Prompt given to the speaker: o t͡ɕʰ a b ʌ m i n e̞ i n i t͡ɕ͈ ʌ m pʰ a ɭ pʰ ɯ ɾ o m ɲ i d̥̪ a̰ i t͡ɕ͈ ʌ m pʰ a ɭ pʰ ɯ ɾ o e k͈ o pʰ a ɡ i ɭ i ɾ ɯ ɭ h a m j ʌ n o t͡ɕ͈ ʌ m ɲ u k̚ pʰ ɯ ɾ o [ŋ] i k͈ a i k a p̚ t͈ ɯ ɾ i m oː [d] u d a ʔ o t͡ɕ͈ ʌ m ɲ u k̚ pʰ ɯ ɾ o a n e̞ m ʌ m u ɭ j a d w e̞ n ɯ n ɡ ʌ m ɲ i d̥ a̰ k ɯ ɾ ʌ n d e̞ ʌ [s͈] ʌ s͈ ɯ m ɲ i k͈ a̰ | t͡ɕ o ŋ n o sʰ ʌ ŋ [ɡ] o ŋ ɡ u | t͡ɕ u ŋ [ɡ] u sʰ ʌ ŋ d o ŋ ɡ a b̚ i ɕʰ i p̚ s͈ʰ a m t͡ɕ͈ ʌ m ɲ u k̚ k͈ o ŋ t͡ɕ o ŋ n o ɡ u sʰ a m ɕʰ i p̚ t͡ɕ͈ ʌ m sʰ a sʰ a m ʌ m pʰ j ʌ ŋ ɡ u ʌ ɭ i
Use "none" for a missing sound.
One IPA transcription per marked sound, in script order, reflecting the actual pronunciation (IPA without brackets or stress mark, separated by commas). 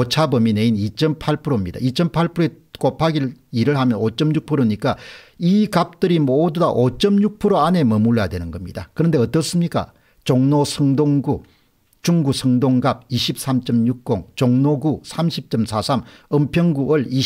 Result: ɲ, d, t͈, d, ɡ